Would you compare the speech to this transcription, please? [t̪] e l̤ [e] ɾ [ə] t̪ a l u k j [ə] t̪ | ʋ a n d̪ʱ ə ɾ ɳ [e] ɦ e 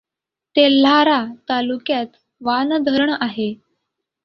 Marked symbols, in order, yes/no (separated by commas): yes, no, no, no, no